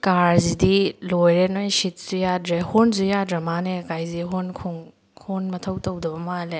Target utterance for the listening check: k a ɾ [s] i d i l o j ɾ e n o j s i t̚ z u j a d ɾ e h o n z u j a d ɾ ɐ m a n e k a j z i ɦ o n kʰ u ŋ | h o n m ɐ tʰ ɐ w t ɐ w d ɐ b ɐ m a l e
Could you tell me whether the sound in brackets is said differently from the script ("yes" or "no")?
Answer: yes